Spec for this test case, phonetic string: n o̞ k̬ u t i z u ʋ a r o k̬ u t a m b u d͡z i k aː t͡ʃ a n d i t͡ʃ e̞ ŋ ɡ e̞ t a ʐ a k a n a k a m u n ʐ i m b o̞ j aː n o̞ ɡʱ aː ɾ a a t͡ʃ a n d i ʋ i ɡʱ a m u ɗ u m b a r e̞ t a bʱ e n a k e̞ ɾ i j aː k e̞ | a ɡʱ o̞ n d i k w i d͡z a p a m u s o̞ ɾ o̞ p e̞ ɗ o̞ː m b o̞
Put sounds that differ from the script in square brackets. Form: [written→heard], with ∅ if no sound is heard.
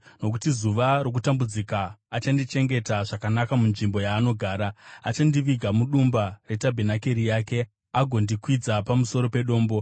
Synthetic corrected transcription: n o̞ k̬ u t i z u ʋ a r o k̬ u t a m b u d͡z i k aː t͡ʃ a n d i t͡ʃ e̞ ŋ ɡ e̞ t a ʐ a k a n a k a m u n ʐ i m b o̞ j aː n o̞ ɡʱ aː ɾ a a t͡ʃ a n d i ʋ i ɡʱ a m u ɗ u m b a r e̞ t a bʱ e n a k e̞ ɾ i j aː k e̞ | a ɡʱ o̞ n d i k w i d͡z a p a m u s o̞ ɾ o̞ p e̞ ɗ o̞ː m b o̞